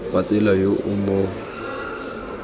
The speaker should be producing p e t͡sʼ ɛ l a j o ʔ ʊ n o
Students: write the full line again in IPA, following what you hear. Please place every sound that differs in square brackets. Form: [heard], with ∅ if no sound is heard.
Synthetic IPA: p [a] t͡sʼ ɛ l a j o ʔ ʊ [m] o